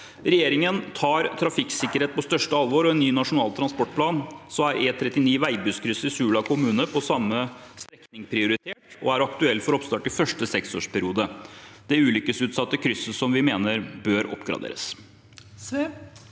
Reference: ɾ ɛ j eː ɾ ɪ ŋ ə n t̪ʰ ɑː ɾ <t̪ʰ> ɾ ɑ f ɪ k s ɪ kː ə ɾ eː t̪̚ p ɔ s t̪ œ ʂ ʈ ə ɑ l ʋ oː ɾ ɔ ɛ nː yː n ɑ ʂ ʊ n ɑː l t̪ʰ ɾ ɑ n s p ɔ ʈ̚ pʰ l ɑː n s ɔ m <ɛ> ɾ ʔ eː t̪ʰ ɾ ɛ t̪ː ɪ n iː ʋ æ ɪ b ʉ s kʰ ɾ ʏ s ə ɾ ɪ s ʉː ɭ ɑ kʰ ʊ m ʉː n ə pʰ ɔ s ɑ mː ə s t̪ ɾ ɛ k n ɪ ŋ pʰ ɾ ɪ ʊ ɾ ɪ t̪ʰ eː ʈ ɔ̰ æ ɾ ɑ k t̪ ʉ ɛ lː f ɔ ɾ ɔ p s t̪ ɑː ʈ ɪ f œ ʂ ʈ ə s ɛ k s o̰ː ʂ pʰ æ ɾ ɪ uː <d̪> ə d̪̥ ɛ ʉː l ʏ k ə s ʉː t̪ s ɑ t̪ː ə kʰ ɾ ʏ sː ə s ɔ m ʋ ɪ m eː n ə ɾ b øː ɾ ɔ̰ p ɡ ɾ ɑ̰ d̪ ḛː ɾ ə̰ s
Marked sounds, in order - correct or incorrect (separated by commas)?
correct, incorrect, correct